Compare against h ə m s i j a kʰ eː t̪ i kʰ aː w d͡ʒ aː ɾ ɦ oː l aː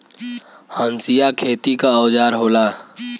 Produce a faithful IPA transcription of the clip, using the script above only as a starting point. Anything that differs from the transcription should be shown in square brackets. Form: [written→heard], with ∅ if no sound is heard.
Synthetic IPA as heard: h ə [m→n] s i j a kʰ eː t̪ i [kʰ→k] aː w d͡ʒ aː ɾ ɦ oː l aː